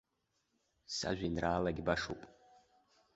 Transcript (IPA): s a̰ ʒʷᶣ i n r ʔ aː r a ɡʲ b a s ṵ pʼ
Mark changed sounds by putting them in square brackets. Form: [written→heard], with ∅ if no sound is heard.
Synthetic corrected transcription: s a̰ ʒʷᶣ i n r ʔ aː [r→l] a ɡʲ b a [s→ʂ] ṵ pʼ